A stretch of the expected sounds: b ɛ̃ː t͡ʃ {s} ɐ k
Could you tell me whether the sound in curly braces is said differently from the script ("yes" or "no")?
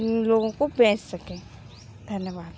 no